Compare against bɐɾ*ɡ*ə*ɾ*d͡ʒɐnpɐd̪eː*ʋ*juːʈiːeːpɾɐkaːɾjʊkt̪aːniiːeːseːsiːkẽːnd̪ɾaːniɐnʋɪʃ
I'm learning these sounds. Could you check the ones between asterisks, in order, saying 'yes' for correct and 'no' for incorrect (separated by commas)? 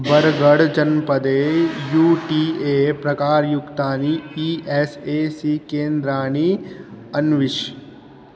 yes, no, no